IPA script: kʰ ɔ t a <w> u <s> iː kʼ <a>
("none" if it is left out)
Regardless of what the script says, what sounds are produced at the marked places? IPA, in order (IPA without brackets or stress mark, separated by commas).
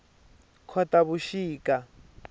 β, ʃ, a